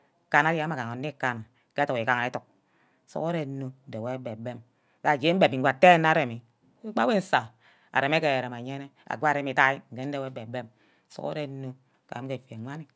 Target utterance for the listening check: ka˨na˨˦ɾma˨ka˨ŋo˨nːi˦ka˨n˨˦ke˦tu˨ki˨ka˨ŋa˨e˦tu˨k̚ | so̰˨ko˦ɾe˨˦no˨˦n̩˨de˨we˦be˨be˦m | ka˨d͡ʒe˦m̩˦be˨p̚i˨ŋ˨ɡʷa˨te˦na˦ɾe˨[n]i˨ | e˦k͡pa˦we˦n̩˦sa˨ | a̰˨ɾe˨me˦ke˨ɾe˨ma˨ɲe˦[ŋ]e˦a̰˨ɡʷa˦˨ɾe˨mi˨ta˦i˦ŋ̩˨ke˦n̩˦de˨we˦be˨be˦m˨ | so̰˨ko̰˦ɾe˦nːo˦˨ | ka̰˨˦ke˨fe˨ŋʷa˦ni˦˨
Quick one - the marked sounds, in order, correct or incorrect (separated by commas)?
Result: incorrect, incorrect